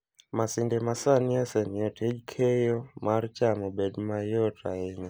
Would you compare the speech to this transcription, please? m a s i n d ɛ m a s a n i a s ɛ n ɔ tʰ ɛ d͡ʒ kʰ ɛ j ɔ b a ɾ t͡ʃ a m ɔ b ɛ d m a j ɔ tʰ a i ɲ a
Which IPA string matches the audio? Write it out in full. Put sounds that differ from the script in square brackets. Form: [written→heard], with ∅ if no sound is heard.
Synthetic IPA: m a s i n d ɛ m a s a n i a s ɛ n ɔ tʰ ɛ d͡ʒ kʰ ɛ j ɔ [b→m] a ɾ t͡ʃ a m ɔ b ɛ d m a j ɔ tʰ a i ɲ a